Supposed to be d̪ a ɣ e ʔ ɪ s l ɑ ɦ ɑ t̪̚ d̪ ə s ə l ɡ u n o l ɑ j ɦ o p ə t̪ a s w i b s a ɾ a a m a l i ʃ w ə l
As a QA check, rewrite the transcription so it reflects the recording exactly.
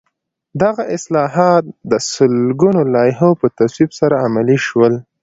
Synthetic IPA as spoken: d̪ a ɣ a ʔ ɪ s l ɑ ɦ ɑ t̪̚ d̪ ə s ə l ɡ u n o l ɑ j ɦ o p ə t̪ a s w i b s a ɾ a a m a l i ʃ w ə l